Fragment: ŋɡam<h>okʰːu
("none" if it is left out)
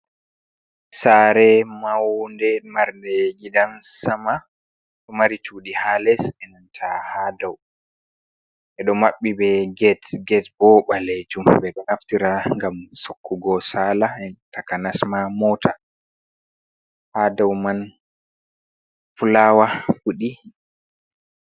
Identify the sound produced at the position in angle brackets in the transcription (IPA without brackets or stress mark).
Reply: s